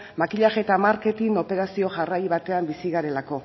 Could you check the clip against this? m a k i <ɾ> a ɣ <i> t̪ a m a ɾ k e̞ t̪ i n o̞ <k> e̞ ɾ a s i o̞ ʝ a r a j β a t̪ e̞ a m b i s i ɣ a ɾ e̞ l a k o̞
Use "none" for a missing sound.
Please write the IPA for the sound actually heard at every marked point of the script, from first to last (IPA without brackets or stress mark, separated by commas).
ʎ, e, p